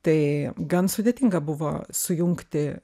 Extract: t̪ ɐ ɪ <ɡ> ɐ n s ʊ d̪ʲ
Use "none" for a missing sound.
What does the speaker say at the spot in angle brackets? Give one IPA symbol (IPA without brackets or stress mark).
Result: ɡ